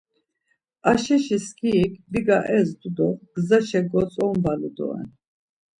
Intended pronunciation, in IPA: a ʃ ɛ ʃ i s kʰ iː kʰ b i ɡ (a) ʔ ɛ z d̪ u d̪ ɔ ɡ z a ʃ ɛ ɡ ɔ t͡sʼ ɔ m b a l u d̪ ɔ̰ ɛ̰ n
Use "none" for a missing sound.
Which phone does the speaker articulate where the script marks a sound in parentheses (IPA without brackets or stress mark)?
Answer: a